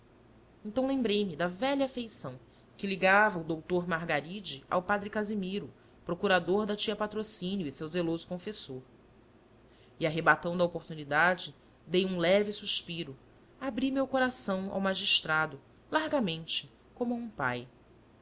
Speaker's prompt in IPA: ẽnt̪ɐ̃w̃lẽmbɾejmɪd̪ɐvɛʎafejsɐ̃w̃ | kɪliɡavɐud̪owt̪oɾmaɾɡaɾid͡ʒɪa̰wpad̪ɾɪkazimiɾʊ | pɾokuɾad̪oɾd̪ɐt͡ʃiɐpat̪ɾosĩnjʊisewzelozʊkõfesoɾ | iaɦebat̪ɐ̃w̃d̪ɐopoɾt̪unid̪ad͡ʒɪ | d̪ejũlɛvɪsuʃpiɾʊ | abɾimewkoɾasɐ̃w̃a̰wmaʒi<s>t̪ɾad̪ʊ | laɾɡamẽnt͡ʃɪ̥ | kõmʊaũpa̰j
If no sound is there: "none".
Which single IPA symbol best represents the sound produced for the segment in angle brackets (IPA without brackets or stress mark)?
ʃ